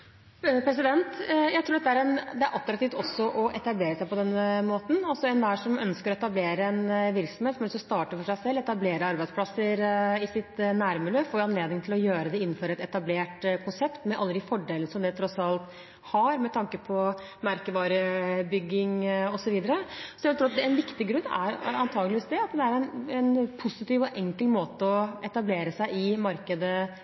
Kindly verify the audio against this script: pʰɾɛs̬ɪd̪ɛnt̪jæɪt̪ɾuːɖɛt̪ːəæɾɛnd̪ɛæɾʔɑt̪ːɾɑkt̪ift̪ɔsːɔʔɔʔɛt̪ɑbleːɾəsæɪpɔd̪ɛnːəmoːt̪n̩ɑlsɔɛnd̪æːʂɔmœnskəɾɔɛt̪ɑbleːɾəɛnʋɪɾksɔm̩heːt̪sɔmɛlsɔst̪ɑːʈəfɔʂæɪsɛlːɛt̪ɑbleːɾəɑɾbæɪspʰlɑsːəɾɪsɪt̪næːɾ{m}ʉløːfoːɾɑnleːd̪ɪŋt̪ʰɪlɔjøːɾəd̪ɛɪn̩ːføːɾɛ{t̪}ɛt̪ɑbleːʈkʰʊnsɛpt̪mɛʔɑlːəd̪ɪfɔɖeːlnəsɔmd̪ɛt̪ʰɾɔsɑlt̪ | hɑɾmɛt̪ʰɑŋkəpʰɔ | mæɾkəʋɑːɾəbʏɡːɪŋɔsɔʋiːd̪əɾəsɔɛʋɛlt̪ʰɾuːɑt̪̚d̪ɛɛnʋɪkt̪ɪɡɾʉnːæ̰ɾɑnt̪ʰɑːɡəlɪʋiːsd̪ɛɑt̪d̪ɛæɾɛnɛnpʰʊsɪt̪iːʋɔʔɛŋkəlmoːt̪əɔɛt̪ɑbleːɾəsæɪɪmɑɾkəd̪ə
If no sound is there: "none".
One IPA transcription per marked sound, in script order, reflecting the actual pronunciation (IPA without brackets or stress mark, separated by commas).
m, t̪